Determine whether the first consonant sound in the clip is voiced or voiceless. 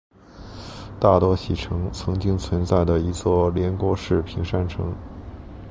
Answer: voiceless